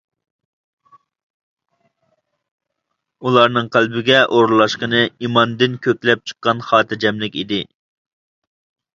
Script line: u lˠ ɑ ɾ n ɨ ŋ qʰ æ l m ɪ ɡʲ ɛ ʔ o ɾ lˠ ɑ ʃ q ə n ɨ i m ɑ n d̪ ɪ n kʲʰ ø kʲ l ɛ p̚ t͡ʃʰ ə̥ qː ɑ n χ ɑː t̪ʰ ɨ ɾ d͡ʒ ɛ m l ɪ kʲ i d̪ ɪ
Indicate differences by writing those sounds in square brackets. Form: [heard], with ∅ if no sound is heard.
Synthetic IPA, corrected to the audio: u lˠ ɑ ɾ n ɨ ŋ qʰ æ l [b] ɪ ɡʲ ɛ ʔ o ɾ lˠ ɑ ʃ q ə n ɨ i m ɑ n d̪ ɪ n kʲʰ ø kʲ l ɛ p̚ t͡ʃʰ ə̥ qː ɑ n χ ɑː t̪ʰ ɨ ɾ d͡ʒ ɛ m l ɪ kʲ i d̪ ɪ

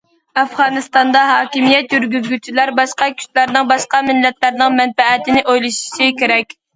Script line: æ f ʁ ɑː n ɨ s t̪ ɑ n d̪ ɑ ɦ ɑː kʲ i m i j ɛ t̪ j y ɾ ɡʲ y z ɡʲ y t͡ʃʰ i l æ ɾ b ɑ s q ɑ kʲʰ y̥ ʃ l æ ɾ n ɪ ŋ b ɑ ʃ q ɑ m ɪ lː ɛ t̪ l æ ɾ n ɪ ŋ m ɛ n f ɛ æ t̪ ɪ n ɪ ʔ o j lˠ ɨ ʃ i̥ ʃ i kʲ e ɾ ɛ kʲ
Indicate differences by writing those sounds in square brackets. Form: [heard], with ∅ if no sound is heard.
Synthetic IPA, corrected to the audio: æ f ʁ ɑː n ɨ s t̪ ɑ n d̪ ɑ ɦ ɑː kʲ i m i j ɛ t̪ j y ɾ ɡʲ y z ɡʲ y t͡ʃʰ i l æ ɾ b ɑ [ʃ] q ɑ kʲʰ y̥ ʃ l æ ɾ n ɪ ŋ b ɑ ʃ q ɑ m ɪ lː ɛ t̪ l æ ɾ n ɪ ŋ m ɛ n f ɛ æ t̪ ɪ n ɪ ʔ o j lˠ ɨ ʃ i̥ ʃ i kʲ e ɾ ɛ kʲ

